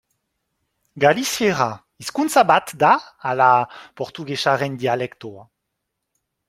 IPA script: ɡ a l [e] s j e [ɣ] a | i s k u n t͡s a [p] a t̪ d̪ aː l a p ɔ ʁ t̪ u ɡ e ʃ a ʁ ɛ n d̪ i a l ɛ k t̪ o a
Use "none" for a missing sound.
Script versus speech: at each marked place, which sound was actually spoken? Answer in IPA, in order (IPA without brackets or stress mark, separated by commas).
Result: i, ʁ, b